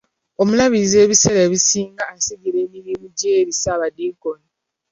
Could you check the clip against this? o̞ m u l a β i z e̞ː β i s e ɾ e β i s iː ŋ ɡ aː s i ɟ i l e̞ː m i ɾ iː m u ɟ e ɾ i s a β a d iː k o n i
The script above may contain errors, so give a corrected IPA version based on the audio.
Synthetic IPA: o̞ m u l a β i z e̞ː β i s e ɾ e β i s iː ŋ ɡ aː s i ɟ i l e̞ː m i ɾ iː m u ɟ e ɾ i s a β a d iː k o n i